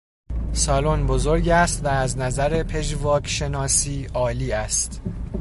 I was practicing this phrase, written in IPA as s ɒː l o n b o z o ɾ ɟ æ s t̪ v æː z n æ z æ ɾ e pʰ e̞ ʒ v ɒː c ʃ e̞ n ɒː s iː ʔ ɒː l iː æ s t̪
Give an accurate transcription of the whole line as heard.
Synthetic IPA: s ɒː l o n b o z o ɾ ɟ æ s t̪ v æː z n æ z æ ɾ e pʰ e̞ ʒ v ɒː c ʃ e̞ n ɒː s iː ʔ ɒː l iː æ s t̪